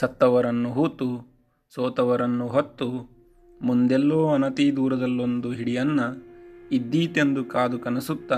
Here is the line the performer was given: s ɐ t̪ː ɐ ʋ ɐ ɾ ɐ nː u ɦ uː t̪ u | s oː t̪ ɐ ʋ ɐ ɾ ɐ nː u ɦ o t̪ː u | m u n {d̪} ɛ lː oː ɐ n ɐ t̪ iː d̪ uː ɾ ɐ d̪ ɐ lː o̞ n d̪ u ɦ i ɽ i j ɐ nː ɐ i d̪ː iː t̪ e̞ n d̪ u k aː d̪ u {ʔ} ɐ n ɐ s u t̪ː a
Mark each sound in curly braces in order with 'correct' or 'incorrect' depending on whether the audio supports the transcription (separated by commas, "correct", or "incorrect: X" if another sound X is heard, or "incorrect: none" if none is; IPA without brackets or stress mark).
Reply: correct, incorrect: k